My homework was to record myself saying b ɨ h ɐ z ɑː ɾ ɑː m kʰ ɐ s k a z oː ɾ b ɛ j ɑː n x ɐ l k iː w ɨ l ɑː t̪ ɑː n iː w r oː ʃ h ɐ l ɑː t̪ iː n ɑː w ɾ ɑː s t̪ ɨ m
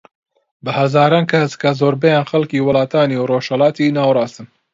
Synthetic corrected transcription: b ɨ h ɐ z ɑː ɾ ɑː n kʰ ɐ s k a z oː ɾ b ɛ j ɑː n x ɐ l k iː w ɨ l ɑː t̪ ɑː n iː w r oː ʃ h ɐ l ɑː t̪ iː n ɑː w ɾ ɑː s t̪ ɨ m